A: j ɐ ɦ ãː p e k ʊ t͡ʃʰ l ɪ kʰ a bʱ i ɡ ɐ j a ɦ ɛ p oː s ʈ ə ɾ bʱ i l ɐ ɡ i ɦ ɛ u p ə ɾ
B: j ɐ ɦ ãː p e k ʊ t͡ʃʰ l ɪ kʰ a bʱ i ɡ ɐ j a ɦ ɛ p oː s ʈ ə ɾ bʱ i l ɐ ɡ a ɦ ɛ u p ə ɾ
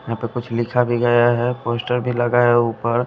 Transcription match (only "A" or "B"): B